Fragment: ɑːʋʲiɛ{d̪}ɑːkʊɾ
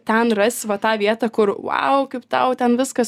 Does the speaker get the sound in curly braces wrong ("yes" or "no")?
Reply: yes